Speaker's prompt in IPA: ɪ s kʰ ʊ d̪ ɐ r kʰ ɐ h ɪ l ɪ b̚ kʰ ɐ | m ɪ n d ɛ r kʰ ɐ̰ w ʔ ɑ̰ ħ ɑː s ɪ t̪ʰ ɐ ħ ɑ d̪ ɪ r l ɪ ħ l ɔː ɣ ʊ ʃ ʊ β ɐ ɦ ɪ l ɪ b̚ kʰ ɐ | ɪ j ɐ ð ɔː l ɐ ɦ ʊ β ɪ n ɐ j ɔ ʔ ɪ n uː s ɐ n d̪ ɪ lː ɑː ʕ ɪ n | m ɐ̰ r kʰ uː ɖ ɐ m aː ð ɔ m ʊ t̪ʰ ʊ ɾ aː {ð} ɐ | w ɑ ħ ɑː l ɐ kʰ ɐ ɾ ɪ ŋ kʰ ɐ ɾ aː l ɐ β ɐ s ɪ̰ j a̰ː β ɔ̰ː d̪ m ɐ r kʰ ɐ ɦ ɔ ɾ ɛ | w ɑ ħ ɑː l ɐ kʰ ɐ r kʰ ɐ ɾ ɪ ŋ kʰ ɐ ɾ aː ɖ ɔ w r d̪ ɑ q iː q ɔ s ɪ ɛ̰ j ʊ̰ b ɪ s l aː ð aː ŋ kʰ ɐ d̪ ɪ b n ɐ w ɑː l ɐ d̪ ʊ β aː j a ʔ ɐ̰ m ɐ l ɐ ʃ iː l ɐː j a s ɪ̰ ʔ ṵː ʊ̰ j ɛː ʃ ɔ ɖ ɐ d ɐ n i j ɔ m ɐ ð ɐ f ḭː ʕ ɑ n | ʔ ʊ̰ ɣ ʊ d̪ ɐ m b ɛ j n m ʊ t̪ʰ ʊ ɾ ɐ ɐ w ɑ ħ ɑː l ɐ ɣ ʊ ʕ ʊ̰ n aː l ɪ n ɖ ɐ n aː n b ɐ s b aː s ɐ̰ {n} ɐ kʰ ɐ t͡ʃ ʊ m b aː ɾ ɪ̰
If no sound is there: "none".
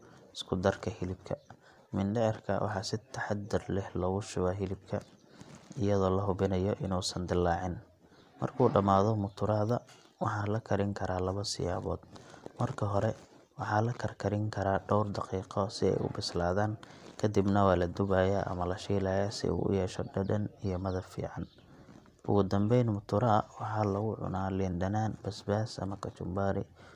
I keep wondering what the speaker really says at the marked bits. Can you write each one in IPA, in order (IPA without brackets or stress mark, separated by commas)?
ð, m